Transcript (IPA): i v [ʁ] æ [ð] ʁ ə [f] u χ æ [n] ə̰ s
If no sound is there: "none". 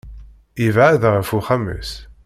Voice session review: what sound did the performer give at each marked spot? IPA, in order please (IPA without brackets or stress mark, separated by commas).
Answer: ʕ, ð, f, m